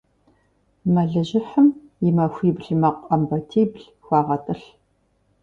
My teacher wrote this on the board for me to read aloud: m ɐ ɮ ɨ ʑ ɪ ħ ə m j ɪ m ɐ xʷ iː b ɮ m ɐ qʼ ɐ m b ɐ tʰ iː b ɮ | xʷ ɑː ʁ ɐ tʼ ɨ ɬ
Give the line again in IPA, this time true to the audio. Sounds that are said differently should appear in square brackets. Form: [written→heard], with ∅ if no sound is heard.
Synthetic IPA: m ɐ ɮ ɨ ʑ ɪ ħ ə m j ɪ m ɐ xʷ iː b ɮ m ɐ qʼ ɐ m b ɐ tʰ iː b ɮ | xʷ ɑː ʁ ɐ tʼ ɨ ɬ